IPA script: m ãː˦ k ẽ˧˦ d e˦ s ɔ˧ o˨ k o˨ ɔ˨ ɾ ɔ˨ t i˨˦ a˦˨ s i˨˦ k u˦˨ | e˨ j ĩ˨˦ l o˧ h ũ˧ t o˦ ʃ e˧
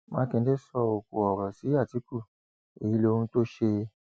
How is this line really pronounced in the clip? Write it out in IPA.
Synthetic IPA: m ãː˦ k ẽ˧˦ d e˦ s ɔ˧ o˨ k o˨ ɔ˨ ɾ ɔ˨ s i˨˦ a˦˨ t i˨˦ k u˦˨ | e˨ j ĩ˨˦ l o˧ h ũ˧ t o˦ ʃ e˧